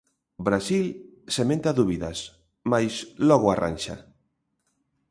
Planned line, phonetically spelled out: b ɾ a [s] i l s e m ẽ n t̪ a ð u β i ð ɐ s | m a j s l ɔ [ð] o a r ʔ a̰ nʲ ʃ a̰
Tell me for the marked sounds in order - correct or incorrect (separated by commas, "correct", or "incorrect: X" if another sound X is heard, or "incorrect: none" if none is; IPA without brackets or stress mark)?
correct, incorrect: ɣ